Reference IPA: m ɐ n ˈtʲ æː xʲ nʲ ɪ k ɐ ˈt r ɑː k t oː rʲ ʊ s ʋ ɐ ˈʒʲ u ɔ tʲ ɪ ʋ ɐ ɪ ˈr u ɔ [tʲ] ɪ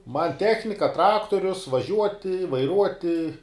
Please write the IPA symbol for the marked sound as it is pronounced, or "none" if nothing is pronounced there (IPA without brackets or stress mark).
tʲ